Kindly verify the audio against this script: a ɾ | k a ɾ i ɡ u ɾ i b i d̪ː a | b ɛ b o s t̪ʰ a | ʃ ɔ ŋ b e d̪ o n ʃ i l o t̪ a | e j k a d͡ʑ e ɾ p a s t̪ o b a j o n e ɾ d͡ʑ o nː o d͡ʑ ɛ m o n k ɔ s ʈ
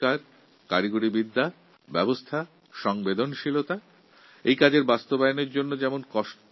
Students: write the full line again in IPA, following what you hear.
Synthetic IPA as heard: a ɾ | k a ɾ i ɡ u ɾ i b i d̪ː a | b ɛ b o s t̪ʰ a | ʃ ɔ ŋ b e d̪ o n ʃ i l o t̪ a | e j k a d͡ʑ e ɾ b a s t̪ o b a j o n e ɾ d͡ʑ o nː o d͡ʑ ɛ m o n k ɔ ʃ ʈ

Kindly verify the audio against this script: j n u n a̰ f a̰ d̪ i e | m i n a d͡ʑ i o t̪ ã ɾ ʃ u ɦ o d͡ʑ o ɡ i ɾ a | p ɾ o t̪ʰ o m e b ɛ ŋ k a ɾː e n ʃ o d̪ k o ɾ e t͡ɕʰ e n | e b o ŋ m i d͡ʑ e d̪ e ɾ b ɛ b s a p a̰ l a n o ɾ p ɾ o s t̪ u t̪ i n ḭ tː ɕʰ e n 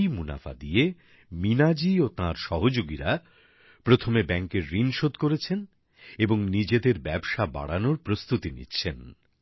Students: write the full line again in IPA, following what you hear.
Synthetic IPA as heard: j m u n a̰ f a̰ d̪ i e | m i n a d͡ʑ i o t̪ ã ɾ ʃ ɔ ɦ o d͡ʑ o ɡ i ɾ a | p ɾ o t̪ʰ o m e b ɛ ŋ k e ɾː i n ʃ o d̪ k o ɾ e t͡ɕʰ e n | e b o ŋ n i d͡ʑ e d̪ e ɾ b ɛ b ʃ a b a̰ ɽ a n o ɾ p ɾ o s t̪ u t̪ i n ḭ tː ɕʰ e n

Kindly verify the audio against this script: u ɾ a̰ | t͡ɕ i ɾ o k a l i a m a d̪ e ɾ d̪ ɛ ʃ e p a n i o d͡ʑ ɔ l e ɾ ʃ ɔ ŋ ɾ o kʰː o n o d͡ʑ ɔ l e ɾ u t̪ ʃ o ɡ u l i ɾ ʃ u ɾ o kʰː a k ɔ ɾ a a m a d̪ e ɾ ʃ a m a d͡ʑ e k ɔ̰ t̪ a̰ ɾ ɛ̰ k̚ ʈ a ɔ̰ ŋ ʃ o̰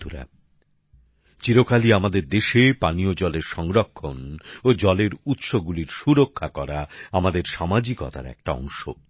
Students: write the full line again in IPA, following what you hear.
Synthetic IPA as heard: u ɾ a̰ | t͡ɕ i ɾ o k a l i a m a d̪ e ɾ d̪ e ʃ e p a n i o d͡ʑ ɔ l e ɾ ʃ ɔ ŋ ɾ o kʰː o n o d͡ʑ ɔ l e ɾ u t̪ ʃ o ɡ u l i ɾ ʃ u ɾ o kʰː a k ɔ ɾ a a m a d̪ e ɾ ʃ a m a d͡ʑ i k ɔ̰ t̪ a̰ ɾ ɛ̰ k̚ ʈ a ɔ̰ ŋ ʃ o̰

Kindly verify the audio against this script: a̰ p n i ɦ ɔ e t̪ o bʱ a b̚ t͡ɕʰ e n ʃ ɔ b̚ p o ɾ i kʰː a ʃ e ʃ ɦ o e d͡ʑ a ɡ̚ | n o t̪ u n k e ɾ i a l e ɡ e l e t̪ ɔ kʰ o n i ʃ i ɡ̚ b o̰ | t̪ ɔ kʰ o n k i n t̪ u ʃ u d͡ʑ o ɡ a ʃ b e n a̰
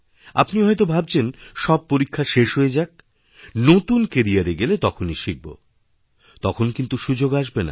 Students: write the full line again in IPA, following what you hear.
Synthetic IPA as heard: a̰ p n i ɦ ɔ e t̪ o bʱ a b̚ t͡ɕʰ e n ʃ ɔ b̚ p o ɾ i kʰː a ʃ e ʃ ɦ o e d͡ʑ a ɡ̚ | n o t̪ u n k e ɾ i a ɾ e ɡ e l e t̪ ɔ kʰ o n i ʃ i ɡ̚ b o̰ | t̪ ɔ kʰ o n k i n t̪ u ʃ u d͡ʑ o ɡ a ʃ b e n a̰

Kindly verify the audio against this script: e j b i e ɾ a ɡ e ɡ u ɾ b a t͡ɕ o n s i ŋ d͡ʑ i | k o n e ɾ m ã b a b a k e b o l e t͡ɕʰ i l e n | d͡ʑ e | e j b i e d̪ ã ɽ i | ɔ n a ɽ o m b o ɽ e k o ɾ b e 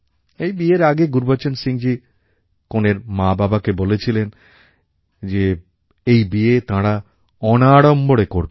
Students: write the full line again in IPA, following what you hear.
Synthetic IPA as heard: e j b i e ɾ a ɡ e ɡ u ɾ b a t͡ɕ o n s i ŋ d͡ʑ i | k o n e ɾ m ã b a b a k e b o l e t͡ɕʰ i l e n | d͡ʑ e | e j b i e t̪ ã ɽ a | ɔ n a ɽ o m b o ɽ e k o ɾ b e

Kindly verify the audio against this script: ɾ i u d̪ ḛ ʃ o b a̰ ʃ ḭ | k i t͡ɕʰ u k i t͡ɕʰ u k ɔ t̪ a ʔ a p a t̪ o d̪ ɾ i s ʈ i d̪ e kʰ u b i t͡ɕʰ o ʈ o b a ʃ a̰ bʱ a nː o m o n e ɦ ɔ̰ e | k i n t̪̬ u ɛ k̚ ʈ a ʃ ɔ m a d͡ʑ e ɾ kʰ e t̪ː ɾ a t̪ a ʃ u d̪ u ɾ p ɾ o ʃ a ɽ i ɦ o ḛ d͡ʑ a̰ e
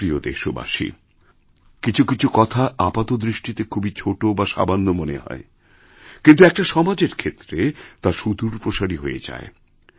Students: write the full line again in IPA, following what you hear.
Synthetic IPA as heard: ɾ i o d̪ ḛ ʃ o b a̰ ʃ ḭ | k i t͡ɕʰ u k i t͡ɕʰ u k ɔ t̪ʰ a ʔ a p a t̪ o d̪ ɾ i ʃ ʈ i t̪ e kʰ u b i t͡ɕʰ o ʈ o b a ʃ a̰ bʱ a nː o m o n e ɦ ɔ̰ e | k i n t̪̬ u ɛ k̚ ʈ a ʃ ɔ m a d͡ʑ e ɾ kʰ e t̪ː ɾ e t̪ a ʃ u d̪ u ɾ p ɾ o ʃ a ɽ i ɦ o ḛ d͡ʑ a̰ e

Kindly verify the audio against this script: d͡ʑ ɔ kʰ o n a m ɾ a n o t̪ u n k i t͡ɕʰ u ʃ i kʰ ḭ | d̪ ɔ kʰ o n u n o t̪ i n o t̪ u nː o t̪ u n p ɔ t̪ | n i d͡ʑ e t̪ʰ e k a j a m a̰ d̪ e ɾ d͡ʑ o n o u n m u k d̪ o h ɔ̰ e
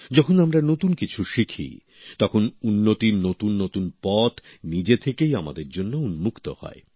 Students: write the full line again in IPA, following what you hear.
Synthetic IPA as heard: d͡ʑ ɔ kʰ o n a m ɾ a n o t̪ u n k i t͡ɕʰ u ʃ i kʰ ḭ | t̪ ɔ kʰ o n u nː o t̪ i n o t̪ u nː o t̪ u n p ɔ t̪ | n i d͡ʑ e t̪ʰ e k e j a m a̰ d̪ e ɾ d͡ʑ o nː o u n m u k t̪ o h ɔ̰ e

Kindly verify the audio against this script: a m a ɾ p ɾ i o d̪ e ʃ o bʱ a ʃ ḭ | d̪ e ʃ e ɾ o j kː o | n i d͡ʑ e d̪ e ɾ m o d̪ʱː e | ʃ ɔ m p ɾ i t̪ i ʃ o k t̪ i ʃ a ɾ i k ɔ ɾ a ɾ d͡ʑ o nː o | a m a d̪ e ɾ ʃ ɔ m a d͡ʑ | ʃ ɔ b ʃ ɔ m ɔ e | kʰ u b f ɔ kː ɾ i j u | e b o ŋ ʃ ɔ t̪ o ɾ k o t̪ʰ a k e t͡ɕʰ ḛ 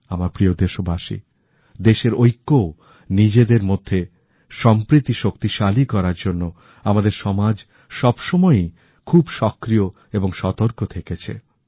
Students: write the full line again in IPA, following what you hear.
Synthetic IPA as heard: a m a ɾ p ɾ i o d̪ e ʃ o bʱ a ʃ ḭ | d̪ e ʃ e ɾ o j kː o | n i d͡ʑ e d̪ e ɾ m o d̪ʱː e | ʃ ɔ m p ɾ i t̪ i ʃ o k t̪ i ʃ a l i k ɔ ɾ a ɾ d͡ʑ o nː o | a m a d̪ e ɾ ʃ ɔ m a d͡ʑ | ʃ ɔ b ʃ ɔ m ɔ e | kʰ u b ʃ ɔ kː ɾ i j o | e b o ŋ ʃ ɔ t̪ o ɾ k o t̪ʰ e k e t͡ɕʰ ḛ

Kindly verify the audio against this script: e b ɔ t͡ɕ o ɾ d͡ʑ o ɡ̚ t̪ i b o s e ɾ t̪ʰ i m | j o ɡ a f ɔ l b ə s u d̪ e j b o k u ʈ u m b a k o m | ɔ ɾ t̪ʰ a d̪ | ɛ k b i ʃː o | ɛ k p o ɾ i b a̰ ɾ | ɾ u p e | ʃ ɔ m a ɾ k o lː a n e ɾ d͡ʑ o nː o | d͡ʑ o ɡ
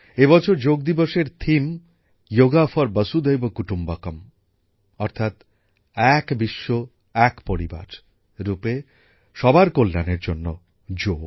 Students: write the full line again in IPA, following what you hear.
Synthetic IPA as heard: e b ɔ t͡ɕʰ o ɾ d͡ʑ o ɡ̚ d̪ i b o ʃ e ɾ t̪ʰ i m | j o ɡ a f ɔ ɾ b ə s u d̪ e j b o k u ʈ u m b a k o m | ɔ ɾ t̪ʰ a t̪ | ɛ k b i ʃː o | ɛ k p o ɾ i b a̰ ɾ | ɾ u p e | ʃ ɔ b a ɾ k o lː a n e ɾ d͡ʑ o nː o | d͡ʑ o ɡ

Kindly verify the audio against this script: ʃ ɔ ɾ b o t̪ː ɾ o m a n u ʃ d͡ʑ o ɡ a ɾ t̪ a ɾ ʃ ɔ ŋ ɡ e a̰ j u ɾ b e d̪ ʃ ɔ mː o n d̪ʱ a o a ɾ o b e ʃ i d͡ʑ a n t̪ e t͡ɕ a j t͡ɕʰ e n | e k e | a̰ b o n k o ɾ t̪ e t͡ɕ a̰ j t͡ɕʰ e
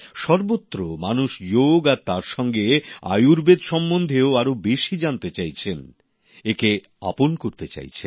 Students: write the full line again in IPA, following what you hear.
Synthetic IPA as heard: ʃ ɔ ɾ b o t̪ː ɾ o m a n u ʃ d͡ʑ o ɡ a ɾ t̪ a ɾ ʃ ɔ ŋ ɡ e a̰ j u ɾ b e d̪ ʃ ɔ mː o n d̪ʱ e o a ɾ o b e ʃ i d͡ʑ a n t̪ e t͡ɕ a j t͡ɕʰ e n | e k e | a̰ p o n k o ɾ t̪ e t͡ɕ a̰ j t͡ɕʰ e

